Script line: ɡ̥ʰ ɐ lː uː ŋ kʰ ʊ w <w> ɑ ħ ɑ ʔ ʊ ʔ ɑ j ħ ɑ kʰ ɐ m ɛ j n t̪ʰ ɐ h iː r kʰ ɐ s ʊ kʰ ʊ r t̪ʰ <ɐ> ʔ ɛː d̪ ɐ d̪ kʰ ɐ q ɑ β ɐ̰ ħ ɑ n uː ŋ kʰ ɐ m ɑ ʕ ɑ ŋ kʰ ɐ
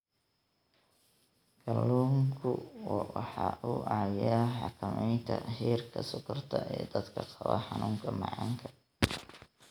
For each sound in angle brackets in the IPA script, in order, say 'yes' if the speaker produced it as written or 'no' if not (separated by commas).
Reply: yes, yes